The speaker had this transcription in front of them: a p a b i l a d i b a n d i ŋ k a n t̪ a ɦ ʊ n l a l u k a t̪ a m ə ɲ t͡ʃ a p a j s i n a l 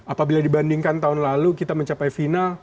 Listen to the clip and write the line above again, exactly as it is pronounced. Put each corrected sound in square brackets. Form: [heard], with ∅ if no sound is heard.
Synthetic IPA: a p a b i l a d i b a n d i ŋ k a n t̪ a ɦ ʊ n l a l u k [i] t̪ a m ə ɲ t͡ʃ a p a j [f] i n a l